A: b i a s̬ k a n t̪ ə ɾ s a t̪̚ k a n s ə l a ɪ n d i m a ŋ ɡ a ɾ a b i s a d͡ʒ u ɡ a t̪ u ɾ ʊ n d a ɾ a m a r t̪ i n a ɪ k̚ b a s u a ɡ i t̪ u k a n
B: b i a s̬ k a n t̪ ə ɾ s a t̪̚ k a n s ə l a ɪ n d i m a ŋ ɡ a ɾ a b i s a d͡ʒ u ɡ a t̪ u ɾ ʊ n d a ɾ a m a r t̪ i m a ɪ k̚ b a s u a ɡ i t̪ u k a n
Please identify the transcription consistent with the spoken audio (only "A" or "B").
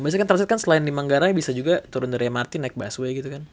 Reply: A